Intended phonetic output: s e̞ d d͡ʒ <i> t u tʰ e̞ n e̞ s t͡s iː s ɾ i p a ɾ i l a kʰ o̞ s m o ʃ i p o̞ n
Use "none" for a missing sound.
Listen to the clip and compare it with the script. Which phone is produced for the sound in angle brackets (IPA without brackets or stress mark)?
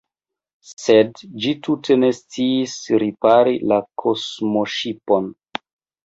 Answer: i